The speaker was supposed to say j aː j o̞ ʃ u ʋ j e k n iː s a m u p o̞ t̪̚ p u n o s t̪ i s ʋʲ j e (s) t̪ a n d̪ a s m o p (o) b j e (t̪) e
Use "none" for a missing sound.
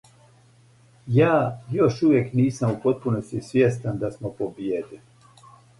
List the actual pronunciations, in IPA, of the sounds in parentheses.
s, o, d̪

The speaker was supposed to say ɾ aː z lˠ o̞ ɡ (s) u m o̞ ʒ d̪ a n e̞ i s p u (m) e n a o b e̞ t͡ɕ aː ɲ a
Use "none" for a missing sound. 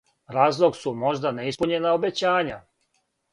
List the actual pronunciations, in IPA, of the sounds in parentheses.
s, ɲ

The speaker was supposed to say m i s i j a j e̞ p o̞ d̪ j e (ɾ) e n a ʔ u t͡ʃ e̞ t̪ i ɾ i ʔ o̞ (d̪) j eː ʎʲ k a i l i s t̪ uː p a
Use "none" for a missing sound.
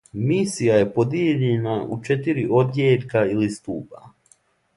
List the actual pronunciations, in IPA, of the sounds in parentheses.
ʎ, d̪

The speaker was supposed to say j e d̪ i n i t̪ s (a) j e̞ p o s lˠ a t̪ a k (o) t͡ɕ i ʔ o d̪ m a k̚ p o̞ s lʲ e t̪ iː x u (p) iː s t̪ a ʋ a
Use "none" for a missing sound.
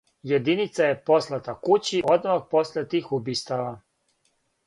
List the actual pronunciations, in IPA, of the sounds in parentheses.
a, u, b

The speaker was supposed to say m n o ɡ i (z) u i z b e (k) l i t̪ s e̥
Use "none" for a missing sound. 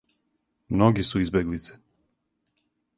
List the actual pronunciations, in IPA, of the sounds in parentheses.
s, ɡ

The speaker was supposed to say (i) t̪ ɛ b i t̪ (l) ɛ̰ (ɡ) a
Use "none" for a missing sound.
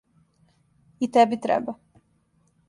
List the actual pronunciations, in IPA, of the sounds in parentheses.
i, ɾ, b

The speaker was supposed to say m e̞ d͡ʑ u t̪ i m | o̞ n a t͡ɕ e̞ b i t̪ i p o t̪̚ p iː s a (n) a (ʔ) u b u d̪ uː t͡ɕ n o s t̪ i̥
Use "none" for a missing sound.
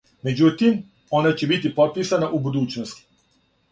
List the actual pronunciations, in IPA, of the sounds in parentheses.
n, ʔ

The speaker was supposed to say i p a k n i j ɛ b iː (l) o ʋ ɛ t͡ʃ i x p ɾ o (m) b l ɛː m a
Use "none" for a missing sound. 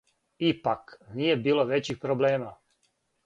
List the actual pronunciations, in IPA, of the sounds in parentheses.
l, none

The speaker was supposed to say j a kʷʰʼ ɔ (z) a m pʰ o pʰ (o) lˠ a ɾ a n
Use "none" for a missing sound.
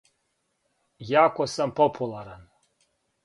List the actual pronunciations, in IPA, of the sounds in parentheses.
s, u

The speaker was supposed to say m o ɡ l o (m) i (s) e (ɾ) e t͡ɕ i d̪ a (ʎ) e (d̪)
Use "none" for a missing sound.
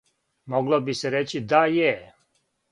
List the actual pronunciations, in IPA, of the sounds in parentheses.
b, s, ɾ, j, none

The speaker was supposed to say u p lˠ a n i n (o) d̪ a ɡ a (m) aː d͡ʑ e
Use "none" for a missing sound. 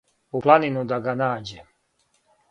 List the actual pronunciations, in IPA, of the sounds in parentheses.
u, n

